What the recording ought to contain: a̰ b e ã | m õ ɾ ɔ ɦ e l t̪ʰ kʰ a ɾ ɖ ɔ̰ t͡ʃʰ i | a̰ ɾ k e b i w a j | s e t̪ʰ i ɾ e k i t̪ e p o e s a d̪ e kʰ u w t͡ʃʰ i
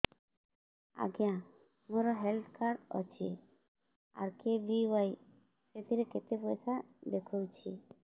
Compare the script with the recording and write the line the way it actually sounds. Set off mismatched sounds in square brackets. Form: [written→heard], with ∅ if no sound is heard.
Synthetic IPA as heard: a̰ [b→ɡ] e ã | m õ ɾ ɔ ɦ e l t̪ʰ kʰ a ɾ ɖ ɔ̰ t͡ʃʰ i | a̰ ɾ k e b i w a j | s e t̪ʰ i ɾ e k [i→e] t̪ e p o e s a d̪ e kʰ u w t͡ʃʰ i